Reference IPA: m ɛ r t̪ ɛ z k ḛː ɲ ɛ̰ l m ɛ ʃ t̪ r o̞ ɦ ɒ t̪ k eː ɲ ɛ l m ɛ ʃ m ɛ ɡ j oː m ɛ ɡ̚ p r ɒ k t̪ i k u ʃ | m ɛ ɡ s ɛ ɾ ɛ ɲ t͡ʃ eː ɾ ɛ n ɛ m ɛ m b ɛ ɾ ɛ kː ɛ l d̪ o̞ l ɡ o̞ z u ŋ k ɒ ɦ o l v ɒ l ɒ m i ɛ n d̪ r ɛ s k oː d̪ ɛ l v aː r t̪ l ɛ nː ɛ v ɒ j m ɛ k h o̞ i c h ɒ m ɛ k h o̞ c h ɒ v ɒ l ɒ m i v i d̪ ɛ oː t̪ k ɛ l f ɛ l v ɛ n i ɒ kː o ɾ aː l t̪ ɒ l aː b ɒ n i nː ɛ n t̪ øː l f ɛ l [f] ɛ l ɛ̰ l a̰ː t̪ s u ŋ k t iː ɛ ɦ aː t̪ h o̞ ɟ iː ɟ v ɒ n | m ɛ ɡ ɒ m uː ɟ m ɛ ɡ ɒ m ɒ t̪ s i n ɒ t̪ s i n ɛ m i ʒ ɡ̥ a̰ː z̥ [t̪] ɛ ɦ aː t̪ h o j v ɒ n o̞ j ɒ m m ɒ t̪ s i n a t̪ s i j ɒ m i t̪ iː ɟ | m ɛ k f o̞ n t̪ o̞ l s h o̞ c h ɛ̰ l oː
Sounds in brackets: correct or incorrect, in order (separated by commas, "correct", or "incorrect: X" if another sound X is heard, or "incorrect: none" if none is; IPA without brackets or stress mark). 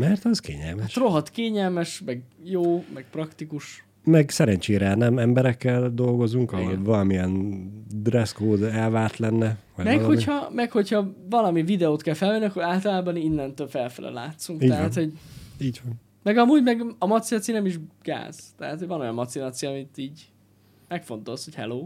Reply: correct, correct